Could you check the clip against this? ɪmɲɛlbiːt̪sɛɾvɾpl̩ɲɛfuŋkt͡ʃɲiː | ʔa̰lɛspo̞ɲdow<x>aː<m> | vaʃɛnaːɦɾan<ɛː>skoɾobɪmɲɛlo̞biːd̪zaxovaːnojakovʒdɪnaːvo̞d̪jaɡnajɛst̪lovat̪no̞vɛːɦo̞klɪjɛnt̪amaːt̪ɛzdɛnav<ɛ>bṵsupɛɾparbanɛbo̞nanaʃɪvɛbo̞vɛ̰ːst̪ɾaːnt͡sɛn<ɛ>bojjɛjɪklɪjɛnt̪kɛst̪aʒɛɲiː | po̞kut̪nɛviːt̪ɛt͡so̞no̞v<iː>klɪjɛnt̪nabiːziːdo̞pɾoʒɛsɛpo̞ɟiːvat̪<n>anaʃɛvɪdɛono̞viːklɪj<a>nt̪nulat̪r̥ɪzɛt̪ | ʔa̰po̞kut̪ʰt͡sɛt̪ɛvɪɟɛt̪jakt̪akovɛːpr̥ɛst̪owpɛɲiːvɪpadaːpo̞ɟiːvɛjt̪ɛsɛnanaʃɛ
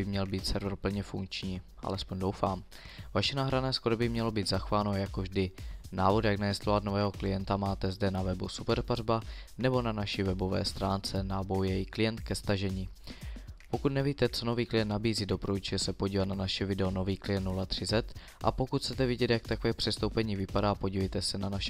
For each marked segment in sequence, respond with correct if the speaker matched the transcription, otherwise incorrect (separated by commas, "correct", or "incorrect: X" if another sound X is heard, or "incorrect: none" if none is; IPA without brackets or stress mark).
incorrect: f, correct, correct, correct, incorrect: a, correct, correct, incorrect: ɛ